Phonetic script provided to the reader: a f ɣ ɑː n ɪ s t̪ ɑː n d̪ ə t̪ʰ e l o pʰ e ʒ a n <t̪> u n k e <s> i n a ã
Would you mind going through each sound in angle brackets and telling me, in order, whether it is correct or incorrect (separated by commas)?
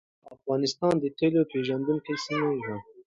incorrect, correct